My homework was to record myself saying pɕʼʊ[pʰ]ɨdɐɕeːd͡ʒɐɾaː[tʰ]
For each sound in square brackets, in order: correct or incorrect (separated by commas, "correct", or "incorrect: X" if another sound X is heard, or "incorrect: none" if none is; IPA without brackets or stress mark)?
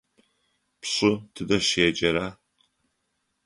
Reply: incorrect: tʰ, incorrect: none